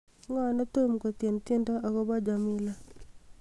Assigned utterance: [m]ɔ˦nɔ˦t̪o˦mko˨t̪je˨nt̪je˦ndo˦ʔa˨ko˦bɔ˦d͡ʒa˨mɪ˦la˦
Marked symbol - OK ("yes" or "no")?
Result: no